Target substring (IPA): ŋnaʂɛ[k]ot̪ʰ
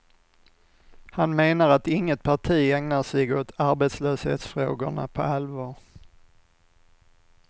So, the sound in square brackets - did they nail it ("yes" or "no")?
no